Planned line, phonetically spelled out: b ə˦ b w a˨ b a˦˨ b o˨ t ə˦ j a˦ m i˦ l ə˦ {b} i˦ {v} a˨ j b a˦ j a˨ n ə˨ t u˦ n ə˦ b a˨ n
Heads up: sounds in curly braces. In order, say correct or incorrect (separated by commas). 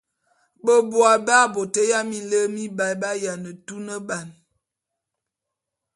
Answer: incorrect, incorrect